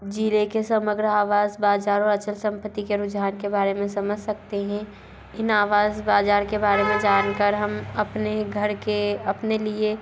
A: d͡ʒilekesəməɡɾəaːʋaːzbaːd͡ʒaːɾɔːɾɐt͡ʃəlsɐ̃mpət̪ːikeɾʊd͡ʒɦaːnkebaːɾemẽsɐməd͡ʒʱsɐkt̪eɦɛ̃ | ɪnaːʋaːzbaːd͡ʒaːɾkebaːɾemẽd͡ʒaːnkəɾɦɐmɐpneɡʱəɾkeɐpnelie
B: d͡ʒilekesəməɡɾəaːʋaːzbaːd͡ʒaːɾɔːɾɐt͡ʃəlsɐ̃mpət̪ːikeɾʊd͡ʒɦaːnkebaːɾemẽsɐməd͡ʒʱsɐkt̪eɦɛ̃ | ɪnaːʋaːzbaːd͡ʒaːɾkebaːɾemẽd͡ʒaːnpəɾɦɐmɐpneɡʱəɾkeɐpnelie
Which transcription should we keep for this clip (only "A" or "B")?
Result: A